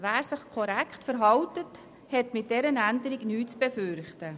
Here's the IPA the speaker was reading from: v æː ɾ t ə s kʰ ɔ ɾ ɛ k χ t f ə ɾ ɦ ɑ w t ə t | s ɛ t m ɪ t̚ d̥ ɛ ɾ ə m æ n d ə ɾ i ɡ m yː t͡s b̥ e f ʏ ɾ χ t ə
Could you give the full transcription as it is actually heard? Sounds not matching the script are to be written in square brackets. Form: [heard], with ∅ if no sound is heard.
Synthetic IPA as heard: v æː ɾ [s] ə [χ] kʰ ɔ ɾ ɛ k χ t f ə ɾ ɦ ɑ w t ə t | [h] ɛ t m ɪ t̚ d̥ ɛ ɾ ə [n] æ n d ə ɾ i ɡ [n] yː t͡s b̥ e f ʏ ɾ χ t ə

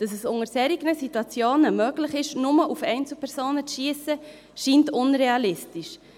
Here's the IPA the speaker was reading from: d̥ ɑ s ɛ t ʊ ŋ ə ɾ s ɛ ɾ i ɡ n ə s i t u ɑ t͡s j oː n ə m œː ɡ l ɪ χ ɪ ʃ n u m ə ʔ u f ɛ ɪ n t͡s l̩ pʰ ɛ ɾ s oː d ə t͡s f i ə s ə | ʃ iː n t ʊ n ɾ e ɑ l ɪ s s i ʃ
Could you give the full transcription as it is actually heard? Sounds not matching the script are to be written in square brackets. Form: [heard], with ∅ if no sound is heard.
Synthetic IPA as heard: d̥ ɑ s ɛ [s] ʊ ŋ ə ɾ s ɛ ɾ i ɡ n ə s i t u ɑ t͡s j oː n ə m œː ɡ l ɪ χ ɪ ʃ n [ʊ] m ə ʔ u f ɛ ɪ n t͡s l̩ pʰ ɛ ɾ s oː [n] ə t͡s [ʃ] i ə s ə | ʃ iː n t ʊ n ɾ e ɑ l ɪ s [t] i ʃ

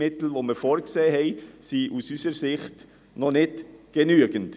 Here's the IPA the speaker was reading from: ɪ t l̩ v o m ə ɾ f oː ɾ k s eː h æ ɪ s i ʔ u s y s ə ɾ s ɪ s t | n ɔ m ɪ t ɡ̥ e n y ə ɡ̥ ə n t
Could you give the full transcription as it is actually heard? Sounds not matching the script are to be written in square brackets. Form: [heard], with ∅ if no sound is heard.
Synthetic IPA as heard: ɪ t l̩ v o m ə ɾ f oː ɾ k s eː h [ɛ] ɪ s i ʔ u s y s ə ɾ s ɪ [χ] t | n ɔ [n] ɪ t ɡ̥ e n y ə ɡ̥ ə n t

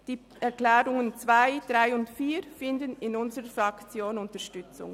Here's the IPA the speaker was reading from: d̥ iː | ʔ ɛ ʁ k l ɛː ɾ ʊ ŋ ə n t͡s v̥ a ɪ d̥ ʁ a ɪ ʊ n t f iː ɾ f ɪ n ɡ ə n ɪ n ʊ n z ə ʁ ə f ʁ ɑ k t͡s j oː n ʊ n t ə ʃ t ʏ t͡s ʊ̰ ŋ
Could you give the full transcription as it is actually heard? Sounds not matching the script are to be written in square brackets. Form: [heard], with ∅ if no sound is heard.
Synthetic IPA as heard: d̥ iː | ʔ ɛ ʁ k l ɛː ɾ ʊ ŋ ə n t͡s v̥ a ɪ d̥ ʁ a ɪ ʊ n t f iː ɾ f ɪ n [d] ə n ɪ n ʊ n z ə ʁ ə f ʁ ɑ k t͡s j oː n ʊ n t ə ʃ t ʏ t͡s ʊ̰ ŋ

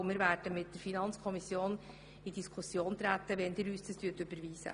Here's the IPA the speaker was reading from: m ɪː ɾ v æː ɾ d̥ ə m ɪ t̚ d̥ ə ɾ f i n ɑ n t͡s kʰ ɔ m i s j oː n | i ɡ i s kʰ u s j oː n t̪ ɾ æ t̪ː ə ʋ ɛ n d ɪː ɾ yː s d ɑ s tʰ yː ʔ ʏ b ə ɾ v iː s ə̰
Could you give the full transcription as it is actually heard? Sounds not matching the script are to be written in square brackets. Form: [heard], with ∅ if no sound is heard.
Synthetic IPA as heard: m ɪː ɾ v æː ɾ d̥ ə m ɪ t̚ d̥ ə ɾ f i n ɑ n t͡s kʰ ɔ m i s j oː n | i [d] i s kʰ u s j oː n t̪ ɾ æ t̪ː ə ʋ ɛ n d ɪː ɾ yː s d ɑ s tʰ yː [t] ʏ b ə ɾ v iː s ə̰

